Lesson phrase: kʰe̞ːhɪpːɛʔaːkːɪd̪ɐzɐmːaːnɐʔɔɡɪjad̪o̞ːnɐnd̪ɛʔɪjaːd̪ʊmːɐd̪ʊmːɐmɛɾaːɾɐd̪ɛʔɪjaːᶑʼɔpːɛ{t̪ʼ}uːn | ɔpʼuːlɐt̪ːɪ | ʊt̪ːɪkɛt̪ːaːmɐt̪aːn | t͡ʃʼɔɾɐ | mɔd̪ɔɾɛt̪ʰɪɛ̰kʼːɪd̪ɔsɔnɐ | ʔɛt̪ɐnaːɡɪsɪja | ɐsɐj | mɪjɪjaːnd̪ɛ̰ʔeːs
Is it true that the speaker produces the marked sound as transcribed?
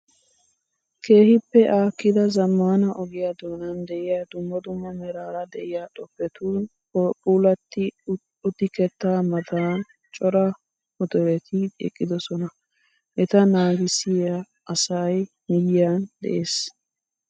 no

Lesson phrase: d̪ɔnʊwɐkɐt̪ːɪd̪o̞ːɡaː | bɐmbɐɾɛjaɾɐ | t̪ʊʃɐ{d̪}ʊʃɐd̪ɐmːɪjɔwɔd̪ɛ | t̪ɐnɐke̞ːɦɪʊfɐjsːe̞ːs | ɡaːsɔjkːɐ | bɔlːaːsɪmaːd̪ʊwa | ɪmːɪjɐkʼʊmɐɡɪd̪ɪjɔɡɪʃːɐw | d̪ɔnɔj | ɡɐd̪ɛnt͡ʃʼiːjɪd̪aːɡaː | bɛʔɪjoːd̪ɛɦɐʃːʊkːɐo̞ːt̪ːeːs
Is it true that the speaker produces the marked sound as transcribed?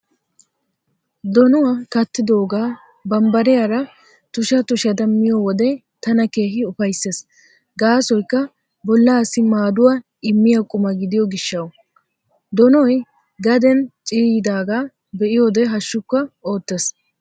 no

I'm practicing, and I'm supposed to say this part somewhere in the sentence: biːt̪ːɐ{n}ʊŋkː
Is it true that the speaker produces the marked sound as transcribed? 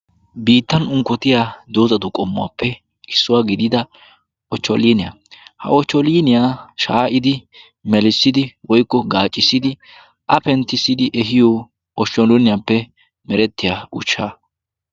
yes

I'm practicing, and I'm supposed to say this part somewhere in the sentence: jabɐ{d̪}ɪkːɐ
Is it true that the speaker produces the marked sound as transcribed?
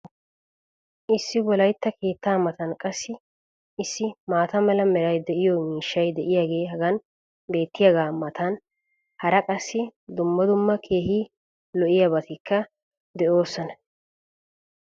no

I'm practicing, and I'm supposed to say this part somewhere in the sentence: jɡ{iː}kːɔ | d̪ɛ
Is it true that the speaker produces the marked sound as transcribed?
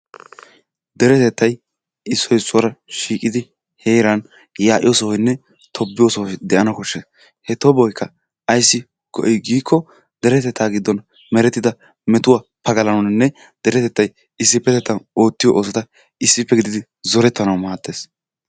yes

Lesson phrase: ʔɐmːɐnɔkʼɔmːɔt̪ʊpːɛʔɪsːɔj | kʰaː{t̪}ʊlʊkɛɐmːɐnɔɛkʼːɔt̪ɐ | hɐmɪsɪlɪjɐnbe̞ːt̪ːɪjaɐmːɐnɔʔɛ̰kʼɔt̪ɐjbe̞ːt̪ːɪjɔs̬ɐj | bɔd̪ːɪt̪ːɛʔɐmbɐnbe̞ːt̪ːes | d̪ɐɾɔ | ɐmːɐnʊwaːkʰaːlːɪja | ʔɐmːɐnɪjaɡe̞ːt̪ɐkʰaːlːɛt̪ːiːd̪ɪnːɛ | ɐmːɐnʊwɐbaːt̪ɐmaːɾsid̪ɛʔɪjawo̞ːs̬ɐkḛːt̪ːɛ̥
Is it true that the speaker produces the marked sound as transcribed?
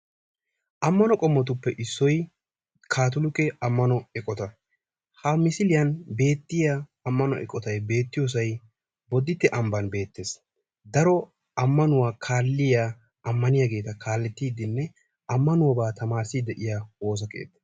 yes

